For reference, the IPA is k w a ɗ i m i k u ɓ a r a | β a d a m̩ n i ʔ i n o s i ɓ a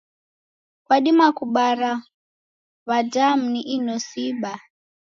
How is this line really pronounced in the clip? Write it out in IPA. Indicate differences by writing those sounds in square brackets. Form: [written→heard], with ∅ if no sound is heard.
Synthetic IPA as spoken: k w a ɗ i m [i→a] k u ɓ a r a | β a d a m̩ n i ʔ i n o s i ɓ a